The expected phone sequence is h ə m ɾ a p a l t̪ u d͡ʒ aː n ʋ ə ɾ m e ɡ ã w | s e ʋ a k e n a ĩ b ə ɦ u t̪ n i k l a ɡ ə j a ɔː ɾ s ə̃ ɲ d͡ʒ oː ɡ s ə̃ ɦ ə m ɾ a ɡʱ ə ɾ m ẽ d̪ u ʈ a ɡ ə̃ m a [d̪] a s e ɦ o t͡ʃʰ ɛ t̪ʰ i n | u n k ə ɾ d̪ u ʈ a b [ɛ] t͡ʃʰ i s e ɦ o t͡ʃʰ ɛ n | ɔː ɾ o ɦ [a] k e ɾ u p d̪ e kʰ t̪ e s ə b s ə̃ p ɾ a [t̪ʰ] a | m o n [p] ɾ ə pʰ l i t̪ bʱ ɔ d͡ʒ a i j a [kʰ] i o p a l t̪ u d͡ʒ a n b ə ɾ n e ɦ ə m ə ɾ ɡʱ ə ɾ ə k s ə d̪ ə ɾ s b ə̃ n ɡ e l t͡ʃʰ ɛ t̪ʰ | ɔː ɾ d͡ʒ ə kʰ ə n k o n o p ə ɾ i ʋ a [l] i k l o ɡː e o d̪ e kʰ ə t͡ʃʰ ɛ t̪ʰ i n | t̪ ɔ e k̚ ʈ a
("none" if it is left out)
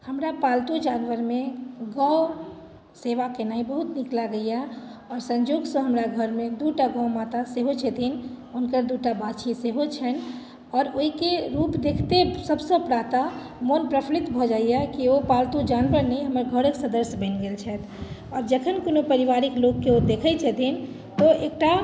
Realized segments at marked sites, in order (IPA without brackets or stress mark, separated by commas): t̪, a, i, t̪, p, k, ɾ